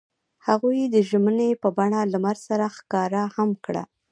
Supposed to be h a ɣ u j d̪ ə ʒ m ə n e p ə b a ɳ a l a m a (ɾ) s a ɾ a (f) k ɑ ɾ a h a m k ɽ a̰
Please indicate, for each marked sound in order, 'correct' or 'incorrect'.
correct, incorrect

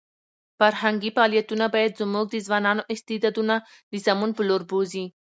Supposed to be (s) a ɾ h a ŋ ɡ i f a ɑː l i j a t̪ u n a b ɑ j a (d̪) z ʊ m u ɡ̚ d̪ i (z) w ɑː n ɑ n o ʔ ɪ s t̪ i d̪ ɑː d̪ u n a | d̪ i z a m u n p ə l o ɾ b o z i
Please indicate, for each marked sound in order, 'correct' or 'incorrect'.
incorrect, correct, correct

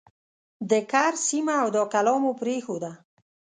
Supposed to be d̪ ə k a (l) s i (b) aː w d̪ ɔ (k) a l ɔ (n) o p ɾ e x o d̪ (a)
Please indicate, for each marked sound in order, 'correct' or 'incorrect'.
incorrect, incorrect, correct, incorrect, correct

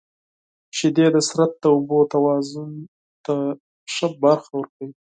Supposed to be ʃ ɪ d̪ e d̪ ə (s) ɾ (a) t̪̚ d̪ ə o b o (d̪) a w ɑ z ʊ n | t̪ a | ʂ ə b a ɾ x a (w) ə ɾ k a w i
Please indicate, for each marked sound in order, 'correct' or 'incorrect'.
correct, correct, incorrect, correct

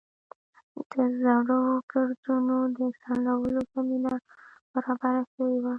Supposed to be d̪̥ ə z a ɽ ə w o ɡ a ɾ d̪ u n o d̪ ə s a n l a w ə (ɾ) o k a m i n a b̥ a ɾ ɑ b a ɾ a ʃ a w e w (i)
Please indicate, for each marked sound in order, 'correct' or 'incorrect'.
incorrect, incorrect

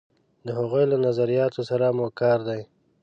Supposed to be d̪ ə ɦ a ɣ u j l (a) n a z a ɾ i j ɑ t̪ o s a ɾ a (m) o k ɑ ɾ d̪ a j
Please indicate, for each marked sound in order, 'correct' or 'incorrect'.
correct, correct

